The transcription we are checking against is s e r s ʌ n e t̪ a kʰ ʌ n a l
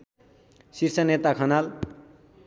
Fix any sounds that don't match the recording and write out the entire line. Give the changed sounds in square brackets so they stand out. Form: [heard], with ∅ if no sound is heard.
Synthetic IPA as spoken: s [i] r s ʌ n e t̪ a kʰ ʌ n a l